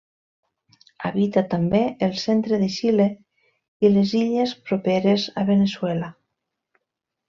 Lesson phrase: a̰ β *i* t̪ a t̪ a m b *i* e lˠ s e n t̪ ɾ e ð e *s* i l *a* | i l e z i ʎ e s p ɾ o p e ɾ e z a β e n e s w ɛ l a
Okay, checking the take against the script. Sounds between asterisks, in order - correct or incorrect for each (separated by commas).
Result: correct, incorrect, incorrect, incorrect